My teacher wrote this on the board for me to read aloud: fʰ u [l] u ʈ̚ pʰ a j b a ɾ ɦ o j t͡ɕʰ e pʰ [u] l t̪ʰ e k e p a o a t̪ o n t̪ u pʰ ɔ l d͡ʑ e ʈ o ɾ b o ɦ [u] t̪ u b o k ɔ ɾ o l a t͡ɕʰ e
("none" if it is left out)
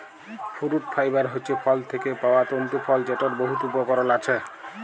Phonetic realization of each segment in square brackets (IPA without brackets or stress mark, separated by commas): ɾ, ɔ, u